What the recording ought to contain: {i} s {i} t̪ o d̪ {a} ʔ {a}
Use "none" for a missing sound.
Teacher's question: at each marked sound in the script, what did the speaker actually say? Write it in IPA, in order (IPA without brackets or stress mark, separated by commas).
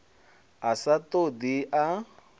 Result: a, a, i, a